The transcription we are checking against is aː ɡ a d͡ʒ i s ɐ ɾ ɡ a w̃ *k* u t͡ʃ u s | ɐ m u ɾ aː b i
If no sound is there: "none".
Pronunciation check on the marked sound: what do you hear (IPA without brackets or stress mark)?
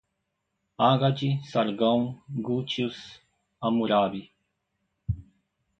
ɡ